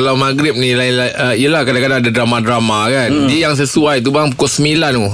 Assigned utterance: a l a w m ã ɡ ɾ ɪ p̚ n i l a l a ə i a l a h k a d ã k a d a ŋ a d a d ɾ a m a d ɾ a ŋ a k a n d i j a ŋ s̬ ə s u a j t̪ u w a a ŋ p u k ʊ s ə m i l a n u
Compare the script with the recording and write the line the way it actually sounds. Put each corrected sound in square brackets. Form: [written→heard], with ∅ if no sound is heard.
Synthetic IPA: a l a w m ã ɡ ɾ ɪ p̚ n i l a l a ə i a l a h k a d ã k a d a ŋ a d a d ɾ a m a d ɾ a [ŋ→m] a k a n d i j a ŋ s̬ ə s u a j t̪ u [w→b] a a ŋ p u k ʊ s ə m i l a n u